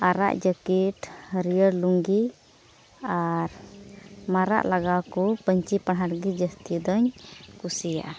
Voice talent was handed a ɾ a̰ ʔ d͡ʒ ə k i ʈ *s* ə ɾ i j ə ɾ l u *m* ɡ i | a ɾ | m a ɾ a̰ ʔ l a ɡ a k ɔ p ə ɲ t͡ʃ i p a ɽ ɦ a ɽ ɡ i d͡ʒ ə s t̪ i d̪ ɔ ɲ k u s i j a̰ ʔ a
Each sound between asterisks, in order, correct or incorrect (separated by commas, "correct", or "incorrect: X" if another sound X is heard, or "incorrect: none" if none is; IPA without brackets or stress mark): incorrect: h, incorrect: ŋ